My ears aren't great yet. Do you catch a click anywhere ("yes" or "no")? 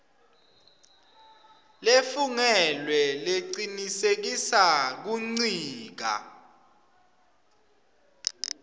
yes